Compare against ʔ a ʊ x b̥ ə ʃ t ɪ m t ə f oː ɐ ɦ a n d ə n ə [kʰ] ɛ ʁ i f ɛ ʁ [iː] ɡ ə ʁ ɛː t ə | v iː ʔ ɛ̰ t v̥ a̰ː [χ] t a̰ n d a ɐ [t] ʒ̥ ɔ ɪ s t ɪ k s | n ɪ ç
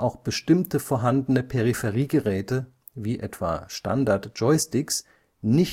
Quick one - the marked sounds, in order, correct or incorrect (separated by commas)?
incorrect, correct, incorrect, correct